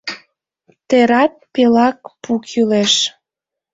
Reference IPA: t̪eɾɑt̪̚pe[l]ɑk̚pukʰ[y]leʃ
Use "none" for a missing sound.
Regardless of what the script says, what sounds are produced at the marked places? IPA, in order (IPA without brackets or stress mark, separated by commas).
l, y